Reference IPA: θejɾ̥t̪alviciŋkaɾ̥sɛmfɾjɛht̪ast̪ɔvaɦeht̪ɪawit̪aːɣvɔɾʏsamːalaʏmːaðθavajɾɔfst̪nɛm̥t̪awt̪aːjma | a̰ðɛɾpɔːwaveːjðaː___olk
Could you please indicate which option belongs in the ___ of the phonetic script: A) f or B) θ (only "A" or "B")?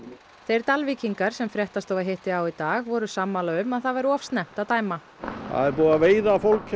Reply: A